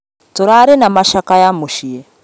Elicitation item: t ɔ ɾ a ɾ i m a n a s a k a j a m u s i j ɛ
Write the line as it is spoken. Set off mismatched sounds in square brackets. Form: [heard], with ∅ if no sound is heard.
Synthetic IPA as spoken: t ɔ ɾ a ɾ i [n] a [m] a [ʃ] a k a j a m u [ʃ] i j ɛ

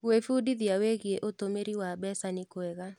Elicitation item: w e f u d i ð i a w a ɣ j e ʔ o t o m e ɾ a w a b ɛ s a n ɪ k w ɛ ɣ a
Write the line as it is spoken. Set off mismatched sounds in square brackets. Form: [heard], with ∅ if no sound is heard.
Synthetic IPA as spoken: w e f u d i ð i a w [e] ɣ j e ʔ o t o m e ɾ [i] w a b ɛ s a n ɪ k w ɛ ɣ a

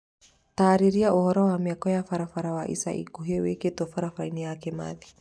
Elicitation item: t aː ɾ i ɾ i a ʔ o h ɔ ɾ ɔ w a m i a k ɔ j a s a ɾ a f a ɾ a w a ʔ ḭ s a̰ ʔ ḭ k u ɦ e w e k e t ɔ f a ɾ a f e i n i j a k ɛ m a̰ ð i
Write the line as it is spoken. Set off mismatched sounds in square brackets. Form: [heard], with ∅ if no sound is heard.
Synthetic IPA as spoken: t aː ɾ i ɾ i a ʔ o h ɔ ɾ ɔ w a m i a k ɔ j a [f] a ɾ a f a ɾ a w a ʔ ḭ s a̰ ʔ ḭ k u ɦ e w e k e t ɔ f a ɾ a f [a] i n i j a k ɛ m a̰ ð i

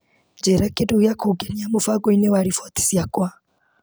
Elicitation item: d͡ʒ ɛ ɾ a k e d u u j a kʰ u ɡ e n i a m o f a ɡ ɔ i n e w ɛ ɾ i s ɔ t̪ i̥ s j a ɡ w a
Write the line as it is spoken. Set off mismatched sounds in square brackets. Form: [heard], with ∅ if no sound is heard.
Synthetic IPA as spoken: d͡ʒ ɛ ɾ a k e d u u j a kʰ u ɡ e n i a m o f a ɡ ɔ i n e w [a] ɾ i [f] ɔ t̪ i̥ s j a [k] w a

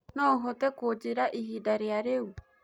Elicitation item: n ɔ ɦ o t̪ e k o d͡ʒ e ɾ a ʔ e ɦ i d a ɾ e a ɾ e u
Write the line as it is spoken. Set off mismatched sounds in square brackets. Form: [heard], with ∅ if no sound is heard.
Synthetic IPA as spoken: n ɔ ɦ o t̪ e k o d͡ʒ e ɾ a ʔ [i] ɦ i d a ɾ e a ɾ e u

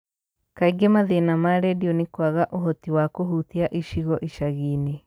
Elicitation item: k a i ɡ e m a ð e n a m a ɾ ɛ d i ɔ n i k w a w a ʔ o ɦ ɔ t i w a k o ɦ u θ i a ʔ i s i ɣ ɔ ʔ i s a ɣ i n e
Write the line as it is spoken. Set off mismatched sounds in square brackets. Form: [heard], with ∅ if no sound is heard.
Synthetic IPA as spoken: k a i ɡ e m a ð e n a m a ɾ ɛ d i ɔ n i k w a [ɣ] a ʔ o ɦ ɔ t i w a k o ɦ u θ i a ʔ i [ʃ] i ɣ ɔ ʔ i [ʃ] a ɣ i n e

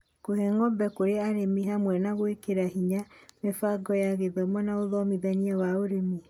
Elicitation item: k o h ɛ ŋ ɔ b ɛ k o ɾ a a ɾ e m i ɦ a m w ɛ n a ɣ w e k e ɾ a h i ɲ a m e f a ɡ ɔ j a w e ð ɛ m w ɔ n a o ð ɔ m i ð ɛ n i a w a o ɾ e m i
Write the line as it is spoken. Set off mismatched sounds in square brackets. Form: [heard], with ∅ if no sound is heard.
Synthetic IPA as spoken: k o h ɛ ŋ ɔ b ɛ k o ɾ [e] a ɾ e m i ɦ a m w ɛ n a ɣ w e k e ɾ a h i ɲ a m e f a ɡ ɔ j a [ɣ] e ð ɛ m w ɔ n a o ð ɔ m i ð ɛ n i [ɛ] w a o ɾ e m i

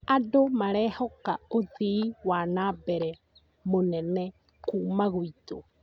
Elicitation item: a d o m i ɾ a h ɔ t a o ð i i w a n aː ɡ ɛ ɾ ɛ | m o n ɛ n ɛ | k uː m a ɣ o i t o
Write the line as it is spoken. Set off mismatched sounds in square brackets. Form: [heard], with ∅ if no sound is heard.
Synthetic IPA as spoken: a d o m [a] ɾ [ɛ] h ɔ [k] a o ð i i w a n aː [b] ɛ ɾ ɛ | m o n ɛ n ɛ | k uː m a ɣ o i t o

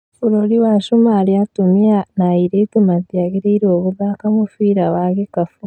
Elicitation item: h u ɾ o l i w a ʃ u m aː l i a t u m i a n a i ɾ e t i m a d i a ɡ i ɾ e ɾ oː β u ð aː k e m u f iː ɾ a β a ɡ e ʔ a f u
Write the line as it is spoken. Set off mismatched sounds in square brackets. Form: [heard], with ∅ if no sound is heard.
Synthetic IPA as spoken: [f] u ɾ o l i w a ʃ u m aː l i a t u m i a n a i ɾ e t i m a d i a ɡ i ɾ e ɾ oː β u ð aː k [a] m u f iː ɾ a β a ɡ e [k] a f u

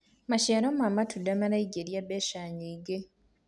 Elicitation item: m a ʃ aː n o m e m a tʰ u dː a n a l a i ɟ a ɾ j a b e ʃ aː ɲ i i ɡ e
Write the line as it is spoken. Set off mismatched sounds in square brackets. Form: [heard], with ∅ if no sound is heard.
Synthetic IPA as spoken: m a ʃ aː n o m [a] m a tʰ u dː a [m] a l a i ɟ [e] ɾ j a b e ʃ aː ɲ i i ɡ e

